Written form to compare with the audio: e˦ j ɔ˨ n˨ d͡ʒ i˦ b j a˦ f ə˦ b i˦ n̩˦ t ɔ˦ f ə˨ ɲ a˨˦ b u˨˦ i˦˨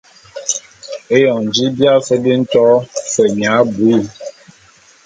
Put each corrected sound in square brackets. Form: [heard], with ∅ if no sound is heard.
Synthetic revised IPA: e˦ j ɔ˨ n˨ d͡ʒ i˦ b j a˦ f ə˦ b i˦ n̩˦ t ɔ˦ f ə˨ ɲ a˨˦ b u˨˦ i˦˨